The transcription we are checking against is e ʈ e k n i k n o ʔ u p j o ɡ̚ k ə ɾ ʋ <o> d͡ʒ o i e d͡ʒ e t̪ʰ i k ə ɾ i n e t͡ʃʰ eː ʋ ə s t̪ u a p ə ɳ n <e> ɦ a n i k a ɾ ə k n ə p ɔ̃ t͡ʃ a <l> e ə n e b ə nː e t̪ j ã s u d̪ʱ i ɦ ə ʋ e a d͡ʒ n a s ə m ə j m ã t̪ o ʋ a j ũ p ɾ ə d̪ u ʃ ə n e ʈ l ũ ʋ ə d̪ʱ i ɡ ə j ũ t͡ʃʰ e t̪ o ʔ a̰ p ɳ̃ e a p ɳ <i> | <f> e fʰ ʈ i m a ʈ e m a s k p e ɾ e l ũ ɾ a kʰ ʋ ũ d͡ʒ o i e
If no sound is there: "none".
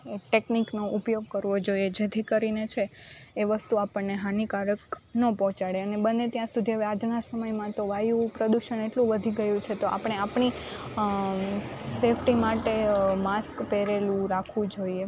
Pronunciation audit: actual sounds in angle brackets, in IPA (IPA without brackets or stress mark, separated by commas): o, e, ɽ, i, s